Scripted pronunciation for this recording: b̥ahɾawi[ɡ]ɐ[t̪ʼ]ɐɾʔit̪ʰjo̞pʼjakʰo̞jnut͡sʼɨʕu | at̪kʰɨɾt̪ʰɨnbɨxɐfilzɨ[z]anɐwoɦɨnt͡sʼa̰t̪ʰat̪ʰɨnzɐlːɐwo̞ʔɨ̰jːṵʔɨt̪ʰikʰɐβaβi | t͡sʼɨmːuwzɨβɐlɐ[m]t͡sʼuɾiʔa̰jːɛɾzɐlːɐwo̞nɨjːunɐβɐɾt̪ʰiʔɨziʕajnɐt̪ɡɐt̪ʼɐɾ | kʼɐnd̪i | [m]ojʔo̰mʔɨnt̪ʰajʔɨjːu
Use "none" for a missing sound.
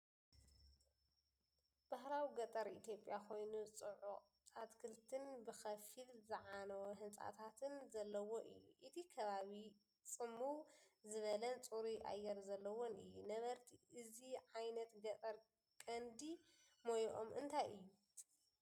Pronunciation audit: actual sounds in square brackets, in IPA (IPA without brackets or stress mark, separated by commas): ɡ, t̪ʼ, ʕ, n, m